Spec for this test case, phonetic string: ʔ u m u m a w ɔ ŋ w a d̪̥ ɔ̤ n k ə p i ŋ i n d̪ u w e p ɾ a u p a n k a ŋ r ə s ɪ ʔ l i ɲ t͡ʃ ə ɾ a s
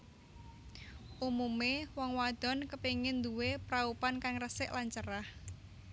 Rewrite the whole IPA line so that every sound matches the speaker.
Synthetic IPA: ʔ u m u m e w ɔ ŋ w a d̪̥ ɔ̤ n k ə p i ŋ ɪ n d̪ u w e p ɾ a u p a n k a ŋ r ə s ɪ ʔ l a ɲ t͡ʃ ə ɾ a h